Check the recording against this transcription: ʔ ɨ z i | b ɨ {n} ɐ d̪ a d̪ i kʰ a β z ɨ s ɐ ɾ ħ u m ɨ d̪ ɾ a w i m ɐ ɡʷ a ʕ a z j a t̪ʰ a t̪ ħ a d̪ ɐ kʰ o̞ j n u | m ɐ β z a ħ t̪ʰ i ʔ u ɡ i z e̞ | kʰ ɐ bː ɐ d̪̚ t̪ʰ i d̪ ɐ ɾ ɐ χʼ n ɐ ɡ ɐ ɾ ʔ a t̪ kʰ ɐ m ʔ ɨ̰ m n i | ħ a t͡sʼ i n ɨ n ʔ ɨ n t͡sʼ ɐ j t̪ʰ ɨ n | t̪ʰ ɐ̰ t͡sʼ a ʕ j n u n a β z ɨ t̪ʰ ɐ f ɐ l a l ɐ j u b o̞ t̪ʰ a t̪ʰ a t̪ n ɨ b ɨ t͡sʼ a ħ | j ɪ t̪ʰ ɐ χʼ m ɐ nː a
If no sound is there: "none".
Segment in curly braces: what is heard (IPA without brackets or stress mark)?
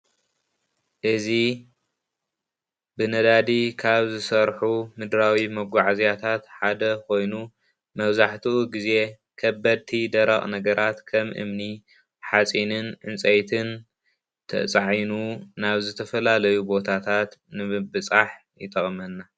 n